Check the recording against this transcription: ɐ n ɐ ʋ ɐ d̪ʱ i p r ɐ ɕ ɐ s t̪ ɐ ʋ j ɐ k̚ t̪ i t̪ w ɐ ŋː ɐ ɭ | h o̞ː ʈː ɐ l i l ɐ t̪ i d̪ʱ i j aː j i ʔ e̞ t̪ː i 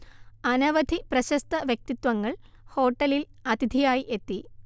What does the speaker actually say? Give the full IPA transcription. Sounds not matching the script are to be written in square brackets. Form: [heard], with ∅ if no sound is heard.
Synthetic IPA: ɐ n ɐ ʋ ɐ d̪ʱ i p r ɐ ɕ ɐ s t̪ ɐ ʋ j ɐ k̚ t̪ i t̪ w ɐ ŋː ɐ ɭ | h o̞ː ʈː ɐ l i l ɐ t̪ i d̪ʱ i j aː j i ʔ e̞ t̪ː i

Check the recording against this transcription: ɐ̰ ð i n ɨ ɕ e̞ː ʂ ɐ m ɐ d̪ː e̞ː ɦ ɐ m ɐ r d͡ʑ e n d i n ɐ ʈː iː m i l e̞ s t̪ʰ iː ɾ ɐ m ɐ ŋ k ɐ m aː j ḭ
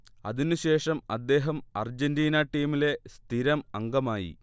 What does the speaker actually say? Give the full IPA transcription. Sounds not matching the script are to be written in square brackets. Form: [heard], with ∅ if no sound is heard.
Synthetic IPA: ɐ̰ ð i n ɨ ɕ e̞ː ʂ ɐ m ɐ d̪ː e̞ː ɦ ɐ m ɐ r d͡ʑ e n d [iː] n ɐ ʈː iː m i l e̞ s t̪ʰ [i] ɾ ɐ m ɐ ŋ [ɡ] ɐ m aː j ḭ

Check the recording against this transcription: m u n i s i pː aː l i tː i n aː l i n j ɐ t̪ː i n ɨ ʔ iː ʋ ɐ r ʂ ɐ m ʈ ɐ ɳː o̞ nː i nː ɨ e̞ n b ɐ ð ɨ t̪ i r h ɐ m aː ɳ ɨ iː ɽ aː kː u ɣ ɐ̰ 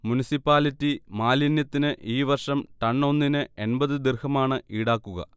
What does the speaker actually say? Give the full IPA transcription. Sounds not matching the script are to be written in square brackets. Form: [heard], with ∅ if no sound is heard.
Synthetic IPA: m u n i s i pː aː l i tː i [m] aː l i n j ɐ t̪ː i n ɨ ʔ iː ʋ ɐ r ʂ ɐ m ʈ ɐ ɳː o̞ nː i [n] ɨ e̞ n b ɐ ð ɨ [d̪] i r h ɐ m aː ɳ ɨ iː ɽ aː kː u ɣ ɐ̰

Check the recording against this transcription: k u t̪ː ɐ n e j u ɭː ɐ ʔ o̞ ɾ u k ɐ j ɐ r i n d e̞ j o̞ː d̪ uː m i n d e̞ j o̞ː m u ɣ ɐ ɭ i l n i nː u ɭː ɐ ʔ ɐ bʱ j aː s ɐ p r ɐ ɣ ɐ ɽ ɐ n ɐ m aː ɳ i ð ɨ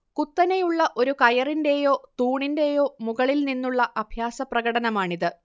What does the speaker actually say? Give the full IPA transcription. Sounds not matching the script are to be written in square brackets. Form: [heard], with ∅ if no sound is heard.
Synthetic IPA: k u t̪ː ɐ n e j u ɭː ɐ ʔ o̞ ɾ u k ɐ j ɐ r i n d e̞ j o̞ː [t̪] uː [ɳ] i n d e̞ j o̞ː m u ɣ ɐ ɭ i l n i nː u ɭː ɐ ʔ ɐ bʱ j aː s ɐ p r ɐ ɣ ɐ ɽ ɐ n ɐ m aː ɳ i ð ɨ

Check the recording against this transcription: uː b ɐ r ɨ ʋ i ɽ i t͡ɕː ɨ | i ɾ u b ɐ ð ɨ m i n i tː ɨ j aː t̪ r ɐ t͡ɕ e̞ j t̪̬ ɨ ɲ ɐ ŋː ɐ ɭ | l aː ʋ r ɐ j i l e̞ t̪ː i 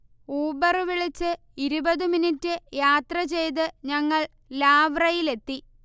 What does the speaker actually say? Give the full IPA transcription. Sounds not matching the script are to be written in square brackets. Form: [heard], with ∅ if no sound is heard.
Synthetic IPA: uː b ɐ r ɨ ʋ i [ɭ] i t͡ɕː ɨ | i ɾ u b ɐ ð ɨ m i n i tː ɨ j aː t̪ r ɐ t͡ɕ e̞ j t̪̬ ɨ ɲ ɐ ŋː ɐ ɭ | l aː ʋ r ɐ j i l e̞ t̪ː i

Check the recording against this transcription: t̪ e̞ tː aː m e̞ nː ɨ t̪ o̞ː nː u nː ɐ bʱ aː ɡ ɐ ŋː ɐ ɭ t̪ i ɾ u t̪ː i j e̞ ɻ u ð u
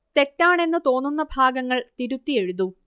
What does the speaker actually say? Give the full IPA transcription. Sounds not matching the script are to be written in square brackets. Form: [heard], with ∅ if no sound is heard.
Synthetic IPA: t̪ e̞ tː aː [ɳ] e̞ nː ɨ t̪ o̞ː nː u nː ɐ bʱ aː ɡ ɐ ŋː ɐ ɭ t̪ i ɾ u t̪ː i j e̞ ɻ u ð u

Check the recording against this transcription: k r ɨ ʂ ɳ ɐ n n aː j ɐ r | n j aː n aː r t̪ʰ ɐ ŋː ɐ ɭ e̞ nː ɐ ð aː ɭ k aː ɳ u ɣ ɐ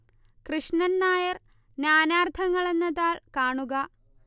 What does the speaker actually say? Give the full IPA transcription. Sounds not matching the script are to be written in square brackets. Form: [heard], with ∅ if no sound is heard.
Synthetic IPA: k r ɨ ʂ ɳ ɐ n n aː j ɐ r | n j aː n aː r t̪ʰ ɐ ŋː ɐ ɭ e̞ nː ɐ ð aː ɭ k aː ɳ u ɣ ɐ

